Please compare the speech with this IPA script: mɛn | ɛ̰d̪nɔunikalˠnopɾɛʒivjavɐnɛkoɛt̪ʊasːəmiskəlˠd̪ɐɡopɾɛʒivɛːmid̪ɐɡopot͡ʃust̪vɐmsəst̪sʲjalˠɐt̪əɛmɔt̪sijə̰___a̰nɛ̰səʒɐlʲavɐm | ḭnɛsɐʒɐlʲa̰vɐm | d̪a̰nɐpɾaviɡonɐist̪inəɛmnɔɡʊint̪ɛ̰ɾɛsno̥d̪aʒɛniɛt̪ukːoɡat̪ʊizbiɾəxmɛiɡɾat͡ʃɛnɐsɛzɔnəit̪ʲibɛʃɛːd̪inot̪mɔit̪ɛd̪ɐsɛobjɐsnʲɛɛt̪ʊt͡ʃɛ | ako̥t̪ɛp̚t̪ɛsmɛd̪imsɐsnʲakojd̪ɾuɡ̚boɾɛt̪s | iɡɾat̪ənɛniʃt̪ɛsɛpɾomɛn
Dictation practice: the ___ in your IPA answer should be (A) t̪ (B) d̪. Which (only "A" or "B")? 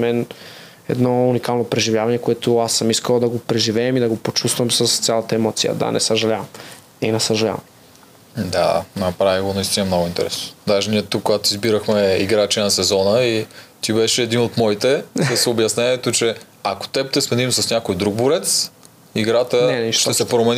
B